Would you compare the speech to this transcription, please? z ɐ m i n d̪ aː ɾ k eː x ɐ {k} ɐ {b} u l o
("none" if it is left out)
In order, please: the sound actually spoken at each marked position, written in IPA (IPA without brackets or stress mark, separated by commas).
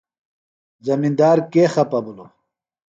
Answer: p, b